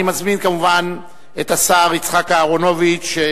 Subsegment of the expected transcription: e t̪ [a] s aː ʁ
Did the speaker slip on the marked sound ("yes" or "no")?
no